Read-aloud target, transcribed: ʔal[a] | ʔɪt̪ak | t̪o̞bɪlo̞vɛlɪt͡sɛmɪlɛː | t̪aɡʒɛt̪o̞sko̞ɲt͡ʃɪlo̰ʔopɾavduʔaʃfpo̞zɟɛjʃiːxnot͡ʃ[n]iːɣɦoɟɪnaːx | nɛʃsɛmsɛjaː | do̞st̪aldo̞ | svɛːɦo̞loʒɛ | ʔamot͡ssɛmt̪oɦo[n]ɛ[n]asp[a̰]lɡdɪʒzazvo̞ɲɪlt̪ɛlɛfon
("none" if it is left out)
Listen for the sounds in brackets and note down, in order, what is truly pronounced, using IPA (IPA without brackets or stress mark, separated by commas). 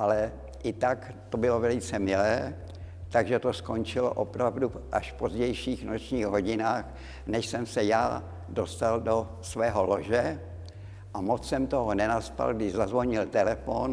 ɛ, ɲ, n, n, a̰